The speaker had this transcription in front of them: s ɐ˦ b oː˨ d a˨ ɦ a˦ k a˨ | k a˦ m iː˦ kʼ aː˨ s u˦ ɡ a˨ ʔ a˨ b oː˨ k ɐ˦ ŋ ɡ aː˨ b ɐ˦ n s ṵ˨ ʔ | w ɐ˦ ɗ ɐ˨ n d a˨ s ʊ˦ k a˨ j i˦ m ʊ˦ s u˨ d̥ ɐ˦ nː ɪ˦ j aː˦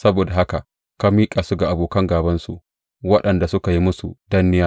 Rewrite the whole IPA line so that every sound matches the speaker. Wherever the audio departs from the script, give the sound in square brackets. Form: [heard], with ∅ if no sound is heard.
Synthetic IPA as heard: s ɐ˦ b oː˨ d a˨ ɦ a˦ k a˨ | k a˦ m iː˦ kʼ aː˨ s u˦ ɡ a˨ ʔ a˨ b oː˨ k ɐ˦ ŋ ɡ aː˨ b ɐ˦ n s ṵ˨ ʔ | w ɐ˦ ɗ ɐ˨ n d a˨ s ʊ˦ k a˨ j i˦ m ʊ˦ s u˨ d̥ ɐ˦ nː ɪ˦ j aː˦